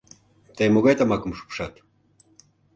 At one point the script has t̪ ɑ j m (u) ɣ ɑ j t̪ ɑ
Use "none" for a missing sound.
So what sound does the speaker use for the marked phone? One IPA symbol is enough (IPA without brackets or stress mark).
o